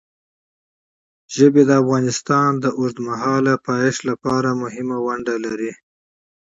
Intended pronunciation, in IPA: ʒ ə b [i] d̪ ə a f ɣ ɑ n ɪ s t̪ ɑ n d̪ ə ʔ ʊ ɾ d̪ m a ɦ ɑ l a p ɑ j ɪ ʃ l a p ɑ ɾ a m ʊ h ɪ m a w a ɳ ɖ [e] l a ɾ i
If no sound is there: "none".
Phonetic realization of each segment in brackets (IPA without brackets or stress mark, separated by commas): e, a